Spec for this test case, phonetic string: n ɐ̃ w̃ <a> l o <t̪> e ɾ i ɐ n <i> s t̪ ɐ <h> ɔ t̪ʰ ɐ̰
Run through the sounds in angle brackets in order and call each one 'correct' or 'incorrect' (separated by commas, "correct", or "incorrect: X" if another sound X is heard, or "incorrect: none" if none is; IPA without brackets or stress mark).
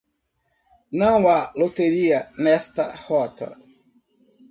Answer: correct, correct, incorrect: ɛ, correct